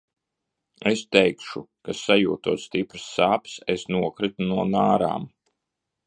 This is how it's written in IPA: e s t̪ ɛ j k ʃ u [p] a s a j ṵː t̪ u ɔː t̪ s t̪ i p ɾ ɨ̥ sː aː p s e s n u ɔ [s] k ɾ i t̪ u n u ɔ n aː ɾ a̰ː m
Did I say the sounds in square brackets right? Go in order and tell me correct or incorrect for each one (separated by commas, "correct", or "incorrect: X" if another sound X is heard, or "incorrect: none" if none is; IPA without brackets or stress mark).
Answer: incorrect: k, incorrect: none